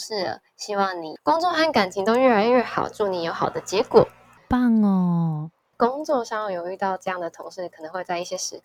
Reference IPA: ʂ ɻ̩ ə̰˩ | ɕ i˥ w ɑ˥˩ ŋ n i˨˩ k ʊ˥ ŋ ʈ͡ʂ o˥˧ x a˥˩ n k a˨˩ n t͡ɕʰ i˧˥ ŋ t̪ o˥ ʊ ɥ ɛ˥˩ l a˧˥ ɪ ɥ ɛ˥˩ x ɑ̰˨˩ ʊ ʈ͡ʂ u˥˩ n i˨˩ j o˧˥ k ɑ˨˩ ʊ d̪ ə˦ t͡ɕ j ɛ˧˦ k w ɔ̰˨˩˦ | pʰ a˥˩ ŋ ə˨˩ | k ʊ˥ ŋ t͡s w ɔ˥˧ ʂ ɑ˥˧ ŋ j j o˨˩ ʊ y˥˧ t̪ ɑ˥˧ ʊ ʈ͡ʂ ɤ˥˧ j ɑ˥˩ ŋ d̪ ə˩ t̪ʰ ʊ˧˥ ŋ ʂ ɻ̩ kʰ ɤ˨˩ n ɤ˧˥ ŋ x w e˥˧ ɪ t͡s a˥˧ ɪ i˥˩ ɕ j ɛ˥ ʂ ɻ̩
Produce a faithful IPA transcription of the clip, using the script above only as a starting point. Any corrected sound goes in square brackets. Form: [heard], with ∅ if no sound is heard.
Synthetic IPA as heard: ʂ ɻ̩ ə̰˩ | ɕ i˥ w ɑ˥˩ ŋ n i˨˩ k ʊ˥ ŋ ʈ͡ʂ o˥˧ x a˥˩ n k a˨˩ n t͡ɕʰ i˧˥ ŋ t̪ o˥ ʊ ɥ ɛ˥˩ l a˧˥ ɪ ɥ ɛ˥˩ x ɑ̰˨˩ ʊ ʈ͡ʂ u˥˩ n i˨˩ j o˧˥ [x] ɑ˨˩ ʊ d̪ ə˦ t͡ɕ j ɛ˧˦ k w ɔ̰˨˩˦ | [p] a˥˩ ŋ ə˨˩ | k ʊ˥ ŋ t͡s w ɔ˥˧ ʂ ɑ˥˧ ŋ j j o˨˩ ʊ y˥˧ t̪ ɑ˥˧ ʊ ʈ͡ʂ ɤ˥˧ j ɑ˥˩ ŋ d̪ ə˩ t̪ʰ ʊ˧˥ ŋ ʂ ɻ̩ kʰ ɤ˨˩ n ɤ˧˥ ŋ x w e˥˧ ɪ t͡s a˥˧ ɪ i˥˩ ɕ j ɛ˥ ʂ ɻ̩